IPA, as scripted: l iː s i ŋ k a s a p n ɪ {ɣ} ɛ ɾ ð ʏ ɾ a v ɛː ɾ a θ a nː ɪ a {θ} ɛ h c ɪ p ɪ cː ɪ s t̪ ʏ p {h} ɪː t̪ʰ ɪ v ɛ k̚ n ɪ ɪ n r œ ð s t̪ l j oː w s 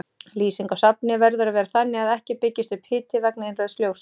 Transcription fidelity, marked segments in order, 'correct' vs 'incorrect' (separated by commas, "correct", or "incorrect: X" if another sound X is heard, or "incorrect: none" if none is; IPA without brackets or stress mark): incorrect: v, incorrect: ð, correct